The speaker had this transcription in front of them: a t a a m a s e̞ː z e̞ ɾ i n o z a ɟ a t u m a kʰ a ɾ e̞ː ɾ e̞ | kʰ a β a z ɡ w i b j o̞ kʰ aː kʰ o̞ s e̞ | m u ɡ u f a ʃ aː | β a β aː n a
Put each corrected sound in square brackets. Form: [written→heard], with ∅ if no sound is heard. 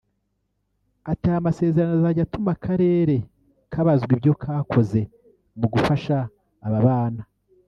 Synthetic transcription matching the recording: a t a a m a s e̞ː z e̞ ɾ [i→a] n o z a ɟ a t u m a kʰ a ɾ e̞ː ɾ e̞ | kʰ a β a z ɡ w i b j o̞ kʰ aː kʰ o̞ [s→z] e̞ | m u ɡ u f a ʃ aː | β a β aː n a